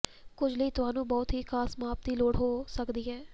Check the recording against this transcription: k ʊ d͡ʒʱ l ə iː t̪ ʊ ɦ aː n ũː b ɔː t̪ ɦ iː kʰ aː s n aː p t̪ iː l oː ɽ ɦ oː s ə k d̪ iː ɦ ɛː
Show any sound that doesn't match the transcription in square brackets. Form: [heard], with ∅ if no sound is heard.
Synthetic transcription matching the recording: k ʊ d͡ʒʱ l ə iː t̪ ʊ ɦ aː n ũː b ɔː t̪ ɦ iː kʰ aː s [m] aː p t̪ iː l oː ɽ ɦ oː s ə k d̪ iː ɦ ɛː